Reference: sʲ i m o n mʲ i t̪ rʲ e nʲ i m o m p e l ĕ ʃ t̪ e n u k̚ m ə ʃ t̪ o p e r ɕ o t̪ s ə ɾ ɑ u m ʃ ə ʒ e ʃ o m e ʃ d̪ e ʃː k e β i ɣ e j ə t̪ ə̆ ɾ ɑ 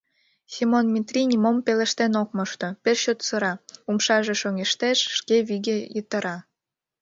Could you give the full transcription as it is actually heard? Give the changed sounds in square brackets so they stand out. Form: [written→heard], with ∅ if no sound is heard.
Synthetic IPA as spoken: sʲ i m o n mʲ i t̪ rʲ [e→i] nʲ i m o m p e l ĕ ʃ t̪ e n [u→o] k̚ m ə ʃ t̪ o p e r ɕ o t̪ s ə ɾ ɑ u m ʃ [ə→ɑ] ʒ e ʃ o [m→ŋ] e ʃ [d̪→t̪] e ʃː k e β i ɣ e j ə t̪ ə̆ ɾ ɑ